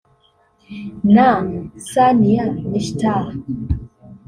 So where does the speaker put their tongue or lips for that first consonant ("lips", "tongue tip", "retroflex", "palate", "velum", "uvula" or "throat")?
tongue tip